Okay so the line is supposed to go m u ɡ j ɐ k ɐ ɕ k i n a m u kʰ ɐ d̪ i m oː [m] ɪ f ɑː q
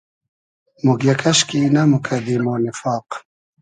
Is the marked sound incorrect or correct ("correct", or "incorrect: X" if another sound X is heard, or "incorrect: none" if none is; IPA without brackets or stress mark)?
incorrect: n